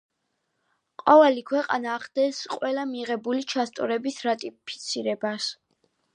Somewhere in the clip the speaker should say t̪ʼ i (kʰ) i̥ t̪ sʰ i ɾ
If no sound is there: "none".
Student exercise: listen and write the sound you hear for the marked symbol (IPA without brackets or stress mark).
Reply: pʰ